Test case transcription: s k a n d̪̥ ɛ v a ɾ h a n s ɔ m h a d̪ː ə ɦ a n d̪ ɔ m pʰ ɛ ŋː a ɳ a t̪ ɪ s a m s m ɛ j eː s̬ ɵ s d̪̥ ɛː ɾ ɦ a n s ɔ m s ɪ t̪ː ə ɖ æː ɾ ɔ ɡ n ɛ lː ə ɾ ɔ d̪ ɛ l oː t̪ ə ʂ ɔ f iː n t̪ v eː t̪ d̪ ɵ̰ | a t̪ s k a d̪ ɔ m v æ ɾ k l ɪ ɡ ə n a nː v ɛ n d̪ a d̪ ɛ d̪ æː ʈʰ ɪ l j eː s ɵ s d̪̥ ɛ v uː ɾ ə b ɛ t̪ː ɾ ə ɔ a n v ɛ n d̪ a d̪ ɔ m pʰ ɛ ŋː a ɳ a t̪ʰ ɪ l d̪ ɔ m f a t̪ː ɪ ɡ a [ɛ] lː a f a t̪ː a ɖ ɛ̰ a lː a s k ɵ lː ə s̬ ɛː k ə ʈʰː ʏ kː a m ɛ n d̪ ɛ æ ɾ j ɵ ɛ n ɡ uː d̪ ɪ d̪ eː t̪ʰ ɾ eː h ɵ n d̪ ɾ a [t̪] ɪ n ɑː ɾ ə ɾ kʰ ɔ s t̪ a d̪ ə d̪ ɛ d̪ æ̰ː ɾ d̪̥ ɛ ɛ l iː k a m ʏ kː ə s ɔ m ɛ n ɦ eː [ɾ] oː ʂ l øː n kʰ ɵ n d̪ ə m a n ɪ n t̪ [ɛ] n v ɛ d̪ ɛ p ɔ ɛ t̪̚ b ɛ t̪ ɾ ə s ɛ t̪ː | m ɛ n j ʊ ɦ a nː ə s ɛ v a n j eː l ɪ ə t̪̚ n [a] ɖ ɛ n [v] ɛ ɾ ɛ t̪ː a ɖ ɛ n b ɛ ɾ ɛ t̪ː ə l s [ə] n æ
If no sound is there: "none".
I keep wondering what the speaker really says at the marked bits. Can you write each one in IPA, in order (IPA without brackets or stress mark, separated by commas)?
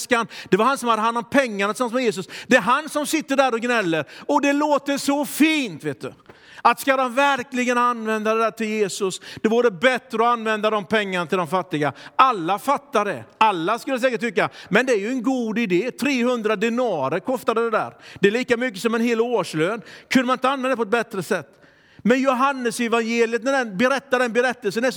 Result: a, d̪, l, a, æ, b, ə